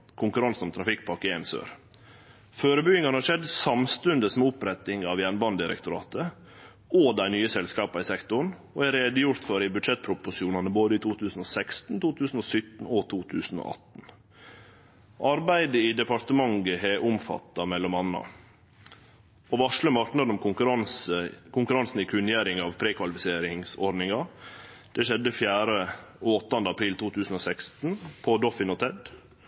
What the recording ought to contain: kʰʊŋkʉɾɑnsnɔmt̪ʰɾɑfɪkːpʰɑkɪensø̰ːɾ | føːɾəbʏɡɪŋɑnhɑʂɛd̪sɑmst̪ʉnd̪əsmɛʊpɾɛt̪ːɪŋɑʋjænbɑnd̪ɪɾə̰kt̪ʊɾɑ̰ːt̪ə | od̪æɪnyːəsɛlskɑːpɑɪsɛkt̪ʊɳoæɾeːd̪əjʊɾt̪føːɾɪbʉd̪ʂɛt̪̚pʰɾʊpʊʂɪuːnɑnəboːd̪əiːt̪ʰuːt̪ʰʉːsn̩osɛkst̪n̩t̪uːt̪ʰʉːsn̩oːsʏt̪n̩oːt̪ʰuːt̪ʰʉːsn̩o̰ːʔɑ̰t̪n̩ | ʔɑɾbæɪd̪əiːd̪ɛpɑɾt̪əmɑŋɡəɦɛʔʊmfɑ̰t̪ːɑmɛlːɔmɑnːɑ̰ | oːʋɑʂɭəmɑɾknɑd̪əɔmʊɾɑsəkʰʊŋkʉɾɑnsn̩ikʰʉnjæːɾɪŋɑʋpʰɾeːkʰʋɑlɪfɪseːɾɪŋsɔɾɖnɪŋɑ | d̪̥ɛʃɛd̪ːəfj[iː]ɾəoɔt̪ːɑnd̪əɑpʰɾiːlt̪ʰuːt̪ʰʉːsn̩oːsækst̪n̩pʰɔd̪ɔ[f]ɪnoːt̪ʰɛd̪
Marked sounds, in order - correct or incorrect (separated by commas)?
incorrect, correct